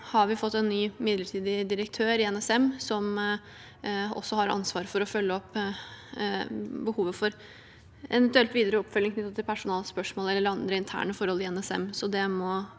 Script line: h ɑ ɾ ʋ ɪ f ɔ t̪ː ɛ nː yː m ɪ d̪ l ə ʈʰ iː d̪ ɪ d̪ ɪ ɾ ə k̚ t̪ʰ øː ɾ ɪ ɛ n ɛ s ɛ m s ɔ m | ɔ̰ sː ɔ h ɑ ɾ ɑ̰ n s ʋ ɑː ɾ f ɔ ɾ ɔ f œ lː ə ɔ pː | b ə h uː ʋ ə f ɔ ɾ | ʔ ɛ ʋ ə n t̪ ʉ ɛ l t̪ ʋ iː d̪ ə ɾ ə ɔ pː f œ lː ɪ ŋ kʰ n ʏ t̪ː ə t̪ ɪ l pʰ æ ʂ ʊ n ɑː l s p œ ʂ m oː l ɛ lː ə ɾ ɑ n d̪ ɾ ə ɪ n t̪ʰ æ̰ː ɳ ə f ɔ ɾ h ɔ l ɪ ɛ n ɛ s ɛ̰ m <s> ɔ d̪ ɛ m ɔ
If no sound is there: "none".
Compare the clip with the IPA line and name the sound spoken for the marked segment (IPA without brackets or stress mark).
s